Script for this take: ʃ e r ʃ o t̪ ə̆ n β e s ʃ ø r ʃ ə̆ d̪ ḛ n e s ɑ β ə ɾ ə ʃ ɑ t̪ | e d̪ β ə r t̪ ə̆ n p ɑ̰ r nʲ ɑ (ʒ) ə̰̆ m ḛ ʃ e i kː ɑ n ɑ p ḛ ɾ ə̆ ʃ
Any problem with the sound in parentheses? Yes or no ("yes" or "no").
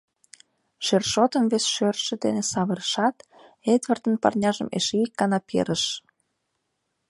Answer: no